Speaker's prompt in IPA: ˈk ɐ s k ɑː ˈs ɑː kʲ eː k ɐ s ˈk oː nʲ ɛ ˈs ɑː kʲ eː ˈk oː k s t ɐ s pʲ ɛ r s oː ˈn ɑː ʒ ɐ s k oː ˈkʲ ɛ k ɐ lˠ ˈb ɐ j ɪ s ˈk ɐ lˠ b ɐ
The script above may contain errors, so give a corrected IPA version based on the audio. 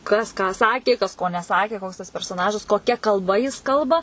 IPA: ˈk ɐ s k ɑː ˈs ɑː kʲ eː k ɐ s ˈk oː nʲ ɛ ˈs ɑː kʲ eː ˈk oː k s t ɐ s pʲ ɛ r s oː ˈn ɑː ʒ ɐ s k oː ˈkʲ ɛ k ɐ lˠ ˈb ɐ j ɪ s ˈk ɐ lˠ b ɐ